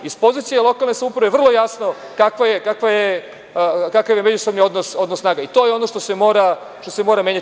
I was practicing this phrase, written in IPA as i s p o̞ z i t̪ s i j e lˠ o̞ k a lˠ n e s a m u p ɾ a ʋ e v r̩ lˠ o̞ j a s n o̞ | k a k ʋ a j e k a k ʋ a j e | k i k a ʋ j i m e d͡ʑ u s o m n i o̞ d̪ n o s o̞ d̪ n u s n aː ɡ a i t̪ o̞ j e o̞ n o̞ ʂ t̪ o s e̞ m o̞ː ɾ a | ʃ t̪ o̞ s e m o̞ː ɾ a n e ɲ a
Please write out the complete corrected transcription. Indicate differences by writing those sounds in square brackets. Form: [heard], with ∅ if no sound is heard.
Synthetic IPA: i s p o̞ z i t̪ s i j e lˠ o̞ k a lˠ n e s a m u p ɾ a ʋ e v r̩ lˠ o̞ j a s n o̞ | k a k ʋ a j e k a k ʋ a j e | k [a] k a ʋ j [e] m e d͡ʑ u s o [b] n i o̞ d̪ n o s o̞ d̪ n [o] s n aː ɡ a i t̪ o̞ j e o̞ n o̞ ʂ t̪ o s e̞ m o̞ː ɾ a | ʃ t̪ o̞ s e m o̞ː ɾ a [m] e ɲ a

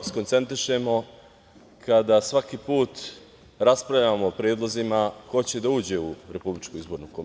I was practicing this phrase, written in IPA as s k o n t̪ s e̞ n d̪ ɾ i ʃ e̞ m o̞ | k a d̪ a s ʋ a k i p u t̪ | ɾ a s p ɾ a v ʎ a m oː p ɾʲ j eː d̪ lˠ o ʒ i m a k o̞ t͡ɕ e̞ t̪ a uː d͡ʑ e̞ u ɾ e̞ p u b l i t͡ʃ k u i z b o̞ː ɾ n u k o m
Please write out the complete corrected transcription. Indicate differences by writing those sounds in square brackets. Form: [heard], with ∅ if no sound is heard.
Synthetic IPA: s k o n t̪ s e̞ n [t̪] ɾ i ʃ e̞ m o̞ | k a d̪ a s ʋ a k i p [uː] t̪ | ɾ a s p ɾ a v ʎ a m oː p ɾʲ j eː d̪ lˠ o [z] i m a k o̞ t͡ɕ e̞ [d̪] a uː d͡ʑ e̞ u ɾ e̞ p u b l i t͡ʃ k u i z b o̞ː ɾ n u k o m

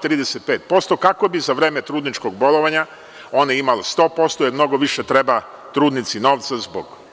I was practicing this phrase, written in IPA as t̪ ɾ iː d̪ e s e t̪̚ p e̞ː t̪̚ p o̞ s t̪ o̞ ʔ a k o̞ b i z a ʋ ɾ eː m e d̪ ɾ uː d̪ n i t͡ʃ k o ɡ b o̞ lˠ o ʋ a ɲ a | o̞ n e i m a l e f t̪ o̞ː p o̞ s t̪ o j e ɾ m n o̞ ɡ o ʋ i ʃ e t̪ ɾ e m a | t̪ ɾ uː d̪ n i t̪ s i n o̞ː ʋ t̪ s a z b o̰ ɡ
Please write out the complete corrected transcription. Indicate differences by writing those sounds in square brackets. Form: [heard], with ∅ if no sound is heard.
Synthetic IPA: t̪ ɾ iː d̪ e s e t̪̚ p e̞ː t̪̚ p o̞ s t̪ o̞ [k] a k o̞ b i z a ʋ ɾ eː m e [t̪] ɾ uː d̪ n i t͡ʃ k o ɡ b o̞ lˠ o ʋ a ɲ a | o̞ n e i m a l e [s] t̪ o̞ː p o̞ s t̪ o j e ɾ m n o̞ ɡ o ʋ i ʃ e t̪ ɾ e [b] a | t̪ ɾ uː d̪ n i t̪ s i n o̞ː ʋ t̪ s a z b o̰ ɡ

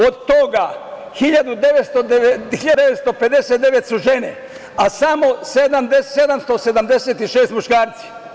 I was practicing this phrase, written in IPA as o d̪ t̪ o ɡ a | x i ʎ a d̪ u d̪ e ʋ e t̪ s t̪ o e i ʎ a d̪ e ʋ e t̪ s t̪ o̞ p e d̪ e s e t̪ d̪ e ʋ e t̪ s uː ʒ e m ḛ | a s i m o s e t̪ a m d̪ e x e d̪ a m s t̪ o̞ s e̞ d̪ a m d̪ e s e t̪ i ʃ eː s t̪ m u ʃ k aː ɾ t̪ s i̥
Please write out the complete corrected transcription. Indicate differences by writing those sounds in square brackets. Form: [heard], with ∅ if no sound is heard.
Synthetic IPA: o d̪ t̪ o ɡ a | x i ʎ a d̪ u d̪ e ʋ e t̪ s t̪ o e i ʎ a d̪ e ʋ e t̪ s t̪ o̞ p e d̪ e s e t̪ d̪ e ʋ e t̪ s [u] ʒ e [n] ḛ | a s [a] m o s e [d̪] a m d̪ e [s] e d̪ a m s t̪ o̞ s e̞ d̪ a m d̪ e s e t̪ i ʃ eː s t̪ m u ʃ k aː ɾ t̪ s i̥

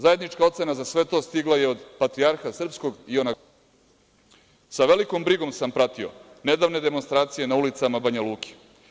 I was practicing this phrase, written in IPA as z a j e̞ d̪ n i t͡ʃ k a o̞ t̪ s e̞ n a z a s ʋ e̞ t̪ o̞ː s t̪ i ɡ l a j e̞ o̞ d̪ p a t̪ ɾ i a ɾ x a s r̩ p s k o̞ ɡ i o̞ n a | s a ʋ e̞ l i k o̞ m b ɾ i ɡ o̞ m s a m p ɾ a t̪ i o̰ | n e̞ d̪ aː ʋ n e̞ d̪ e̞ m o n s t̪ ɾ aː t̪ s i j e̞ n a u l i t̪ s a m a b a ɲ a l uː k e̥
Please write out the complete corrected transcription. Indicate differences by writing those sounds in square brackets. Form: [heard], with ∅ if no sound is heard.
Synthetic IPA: z a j e̞ d̪ n i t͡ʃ k a o̞ t̪ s e̞ n a z a s ʋ e̞ t̪ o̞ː s t̪ i ɡ l a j e̞ o̞ d̪ p a t̪ ɾ i a ɾ x a s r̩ p s k o̞ ɡ i o̞ n a | s a ʋ e̞ l i k o̞ m b ɾ i ɡ o̞ m s a m p ɾ a t̪ i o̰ | n e̞ d̪ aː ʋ n e̞ d̪ e̞ m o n s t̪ ɾ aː t̪ s i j e̞ n a u l i t̪ s a m a b a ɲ a l uː k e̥

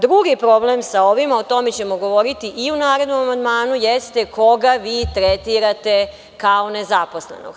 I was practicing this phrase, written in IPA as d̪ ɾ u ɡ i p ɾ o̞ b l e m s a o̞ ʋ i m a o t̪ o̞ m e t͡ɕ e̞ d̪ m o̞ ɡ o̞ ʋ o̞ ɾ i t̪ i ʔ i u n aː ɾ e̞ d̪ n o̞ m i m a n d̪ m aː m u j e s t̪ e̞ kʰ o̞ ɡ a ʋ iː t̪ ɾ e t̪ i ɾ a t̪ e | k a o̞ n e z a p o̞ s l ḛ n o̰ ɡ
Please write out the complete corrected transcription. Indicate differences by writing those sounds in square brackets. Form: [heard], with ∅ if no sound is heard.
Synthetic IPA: d̪ ɾ u ɡ i p ɾ o̞ b l e m s a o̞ ʋ i m a o t̪ o̞ m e t͡ɕ e̞ [∅] m o̞ ɡ o̞ ʋ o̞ ɾ i t̪ i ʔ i u n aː ɾ e̞ d̪ n o̞ m [a] m a n d̪ m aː [n] u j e s t̪ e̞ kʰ o̞ ɡ a ʋ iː t̪ ɾ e t̪ i ɾ a t̪ e | k a o̞ n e z a p o̞ s l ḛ n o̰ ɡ

